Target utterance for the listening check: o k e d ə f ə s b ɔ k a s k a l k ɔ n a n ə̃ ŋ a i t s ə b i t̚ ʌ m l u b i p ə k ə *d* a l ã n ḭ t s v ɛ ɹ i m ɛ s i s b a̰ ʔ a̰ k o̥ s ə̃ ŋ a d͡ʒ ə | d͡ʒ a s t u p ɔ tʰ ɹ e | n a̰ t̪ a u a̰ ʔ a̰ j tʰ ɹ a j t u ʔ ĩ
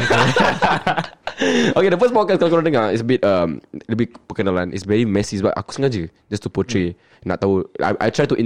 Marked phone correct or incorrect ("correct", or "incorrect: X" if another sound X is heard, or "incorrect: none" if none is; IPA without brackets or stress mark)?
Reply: incorrect: n